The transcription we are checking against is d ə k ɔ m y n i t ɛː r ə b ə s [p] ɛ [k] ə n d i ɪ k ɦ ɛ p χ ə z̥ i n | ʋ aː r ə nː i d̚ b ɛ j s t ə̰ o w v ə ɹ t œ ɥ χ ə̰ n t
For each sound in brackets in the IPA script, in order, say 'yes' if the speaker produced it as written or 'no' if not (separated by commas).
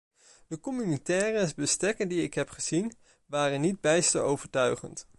no, yes